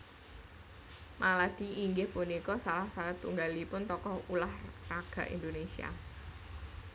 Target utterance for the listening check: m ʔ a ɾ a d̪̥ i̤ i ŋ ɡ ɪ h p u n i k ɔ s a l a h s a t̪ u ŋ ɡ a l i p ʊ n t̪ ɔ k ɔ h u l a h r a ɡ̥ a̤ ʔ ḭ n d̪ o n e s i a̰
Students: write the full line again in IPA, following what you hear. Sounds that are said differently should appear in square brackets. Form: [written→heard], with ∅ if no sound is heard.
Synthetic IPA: m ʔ a [ɾ→l] a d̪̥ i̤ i ŋ ɡ ɪ h p u n i k ɔ s a l a h s a t̪ u ŋ ɡ a l i p ʊ n t̪ ɔ k ɔ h u l a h r a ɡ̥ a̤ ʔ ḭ n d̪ o n e s i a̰